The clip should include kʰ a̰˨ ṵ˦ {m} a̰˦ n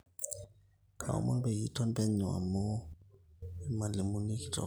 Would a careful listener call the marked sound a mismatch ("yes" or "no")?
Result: no